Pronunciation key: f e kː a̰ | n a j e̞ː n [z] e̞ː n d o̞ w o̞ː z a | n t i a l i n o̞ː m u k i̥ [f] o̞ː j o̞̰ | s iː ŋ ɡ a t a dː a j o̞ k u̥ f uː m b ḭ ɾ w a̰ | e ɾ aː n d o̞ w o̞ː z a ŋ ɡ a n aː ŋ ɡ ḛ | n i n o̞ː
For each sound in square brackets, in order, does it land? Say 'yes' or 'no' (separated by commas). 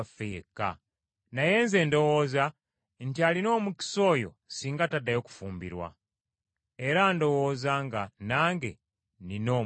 yes, no